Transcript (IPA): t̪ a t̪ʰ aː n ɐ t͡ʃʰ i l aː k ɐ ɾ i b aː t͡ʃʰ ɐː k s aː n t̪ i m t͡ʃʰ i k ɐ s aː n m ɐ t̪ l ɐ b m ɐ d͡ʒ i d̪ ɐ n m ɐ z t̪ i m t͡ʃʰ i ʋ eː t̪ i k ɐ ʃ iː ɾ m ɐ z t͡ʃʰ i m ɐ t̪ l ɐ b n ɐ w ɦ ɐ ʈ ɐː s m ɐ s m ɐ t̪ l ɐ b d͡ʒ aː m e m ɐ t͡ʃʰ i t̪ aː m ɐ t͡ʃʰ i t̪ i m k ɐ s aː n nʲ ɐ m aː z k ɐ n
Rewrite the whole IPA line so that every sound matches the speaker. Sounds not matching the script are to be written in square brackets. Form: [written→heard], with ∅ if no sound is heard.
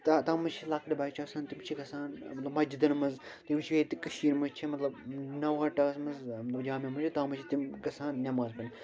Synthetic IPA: t̪ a [t̪ʰ→t̪] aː [n→m] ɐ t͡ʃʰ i l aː k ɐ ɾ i b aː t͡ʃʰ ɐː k s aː n t̪ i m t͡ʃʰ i k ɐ s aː n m ɐ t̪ l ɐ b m ɐ d͡ʒ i d̪ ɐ n m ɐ z t̪ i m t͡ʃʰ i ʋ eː t̪ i k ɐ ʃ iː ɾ m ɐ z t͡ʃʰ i m ɐ t̪ l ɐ b n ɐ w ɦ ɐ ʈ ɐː s m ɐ [s→z] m ɐ t̪ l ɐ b d͡ʒ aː m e m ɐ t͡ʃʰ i t̪ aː m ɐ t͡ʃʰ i t̪ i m k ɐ s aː n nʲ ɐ m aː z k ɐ n

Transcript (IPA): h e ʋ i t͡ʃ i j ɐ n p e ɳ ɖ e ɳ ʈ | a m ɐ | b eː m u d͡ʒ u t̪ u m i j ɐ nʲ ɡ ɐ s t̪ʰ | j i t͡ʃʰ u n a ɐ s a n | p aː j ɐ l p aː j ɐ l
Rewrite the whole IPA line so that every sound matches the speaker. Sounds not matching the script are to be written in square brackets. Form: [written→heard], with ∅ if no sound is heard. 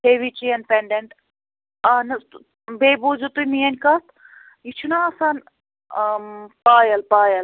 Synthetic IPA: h e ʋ i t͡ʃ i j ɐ n p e ɳ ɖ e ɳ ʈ | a [m→n] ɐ | b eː [m→b] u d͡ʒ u t̪ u m i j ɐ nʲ [ɡ→k] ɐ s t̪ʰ | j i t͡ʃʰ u n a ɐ s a n | p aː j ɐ l p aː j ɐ l

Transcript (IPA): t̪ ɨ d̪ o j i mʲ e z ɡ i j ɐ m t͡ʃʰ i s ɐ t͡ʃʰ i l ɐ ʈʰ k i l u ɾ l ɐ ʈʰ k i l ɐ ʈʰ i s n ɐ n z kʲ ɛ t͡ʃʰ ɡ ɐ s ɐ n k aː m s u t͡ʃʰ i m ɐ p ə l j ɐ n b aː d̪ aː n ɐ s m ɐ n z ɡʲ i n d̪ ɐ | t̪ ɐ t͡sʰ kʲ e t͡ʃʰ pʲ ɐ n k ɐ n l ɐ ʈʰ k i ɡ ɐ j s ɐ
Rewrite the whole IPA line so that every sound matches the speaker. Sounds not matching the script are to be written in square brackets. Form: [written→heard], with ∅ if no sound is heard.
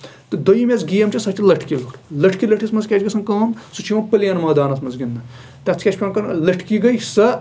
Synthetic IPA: t̪ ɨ d̪ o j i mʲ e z ɡ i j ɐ m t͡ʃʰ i s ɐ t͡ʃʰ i l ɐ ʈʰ k i l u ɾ l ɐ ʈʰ k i l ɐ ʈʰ i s [n→m] ɐ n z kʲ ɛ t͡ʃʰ ɡ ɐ s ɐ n k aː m s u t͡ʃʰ i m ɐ p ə l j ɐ n [b→m] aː d̪ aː n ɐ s m ɐ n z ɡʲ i n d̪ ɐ | t̪ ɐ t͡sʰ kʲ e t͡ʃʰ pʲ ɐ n k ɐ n l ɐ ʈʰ k i ɡ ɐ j s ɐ

